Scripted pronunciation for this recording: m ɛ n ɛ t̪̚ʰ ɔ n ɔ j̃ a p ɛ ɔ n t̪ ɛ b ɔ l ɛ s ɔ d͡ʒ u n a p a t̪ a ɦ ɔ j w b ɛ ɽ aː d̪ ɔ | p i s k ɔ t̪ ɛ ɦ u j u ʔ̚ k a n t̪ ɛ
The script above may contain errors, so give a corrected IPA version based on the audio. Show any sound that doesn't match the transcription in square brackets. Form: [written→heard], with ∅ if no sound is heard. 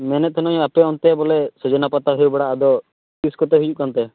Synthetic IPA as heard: m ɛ n ɛ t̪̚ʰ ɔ n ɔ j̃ a p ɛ ɔ n t̪ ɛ b ɔ l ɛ s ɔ d͡ʒ [u→ɔ] n a p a t̪ a ɦ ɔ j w b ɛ ɽ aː d̪ ɔ | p i s k ɔ t̪ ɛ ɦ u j u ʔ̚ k a n t̪ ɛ